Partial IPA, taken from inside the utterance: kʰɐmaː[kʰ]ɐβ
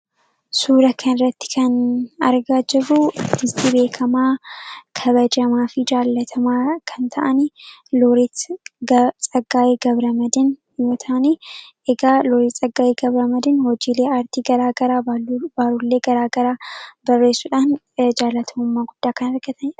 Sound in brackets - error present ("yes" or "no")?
no